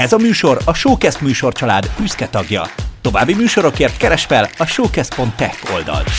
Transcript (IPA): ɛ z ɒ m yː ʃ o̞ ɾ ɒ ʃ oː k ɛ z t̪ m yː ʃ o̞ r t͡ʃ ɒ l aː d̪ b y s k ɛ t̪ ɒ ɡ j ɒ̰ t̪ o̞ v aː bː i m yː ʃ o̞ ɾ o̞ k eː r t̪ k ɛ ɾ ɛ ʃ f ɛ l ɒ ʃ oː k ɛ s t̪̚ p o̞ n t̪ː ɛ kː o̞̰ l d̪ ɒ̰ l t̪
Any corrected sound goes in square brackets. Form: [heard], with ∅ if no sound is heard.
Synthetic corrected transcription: ɛ z ɒ m yː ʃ o̞ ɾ ɒ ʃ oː k ɛ [s] t̪ m yː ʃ o̞ r t͡ʃ ɒ l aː d̪ b y s k ɛ t̪ ɒ ɡ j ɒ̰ t̪ o̞ v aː bː i m yː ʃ o̞ ɾ o̞ k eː r t̪ k ɛ ɾ ɛ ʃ f ɛ l ɒ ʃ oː k ɛ s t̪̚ p o̞ n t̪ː ɛ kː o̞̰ l d̪ ɒ̰ l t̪